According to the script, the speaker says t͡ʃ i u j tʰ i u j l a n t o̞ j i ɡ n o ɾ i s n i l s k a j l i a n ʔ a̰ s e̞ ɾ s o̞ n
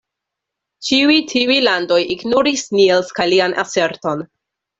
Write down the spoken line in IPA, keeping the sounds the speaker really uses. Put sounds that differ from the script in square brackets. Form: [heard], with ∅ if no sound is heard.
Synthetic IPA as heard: t͡ʃ i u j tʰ i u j l a n [d] o̞ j i ɡ n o ɾ i s n i l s k a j l i a n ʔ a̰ s e̞ ɾ [t] o̞ n